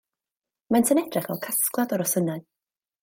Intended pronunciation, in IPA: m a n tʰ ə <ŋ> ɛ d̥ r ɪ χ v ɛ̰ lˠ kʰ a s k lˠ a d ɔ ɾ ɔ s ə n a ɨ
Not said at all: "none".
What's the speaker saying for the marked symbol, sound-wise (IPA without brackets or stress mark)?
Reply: n